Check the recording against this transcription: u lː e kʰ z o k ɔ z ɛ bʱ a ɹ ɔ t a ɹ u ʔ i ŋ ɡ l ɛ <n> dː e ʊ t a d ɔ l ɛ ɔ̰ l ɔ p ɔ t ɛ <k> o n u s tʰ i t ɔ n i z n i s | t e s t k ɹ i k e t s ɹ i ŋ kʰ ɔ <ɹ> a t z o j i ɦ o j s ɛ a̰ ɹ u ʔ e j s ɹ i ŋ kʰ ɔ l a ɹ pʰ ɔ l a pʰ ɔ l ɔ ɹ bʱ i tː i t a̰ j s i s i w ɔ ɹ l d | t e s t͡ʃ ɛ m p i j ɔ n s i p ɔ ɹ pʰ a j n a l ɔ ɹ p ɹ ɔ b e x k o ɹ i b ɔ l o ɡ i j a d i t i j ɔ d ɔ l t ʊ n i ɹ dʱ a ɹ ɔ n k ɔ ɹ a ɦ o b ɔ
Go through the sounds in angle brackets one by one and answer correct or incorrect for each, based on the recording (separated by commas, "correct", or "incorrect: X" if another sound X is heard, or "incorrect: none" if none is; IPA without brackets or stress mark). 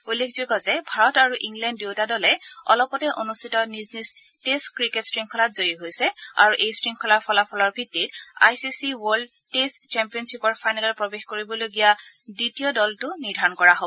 correct, incorrect: ʔ, incorrect: l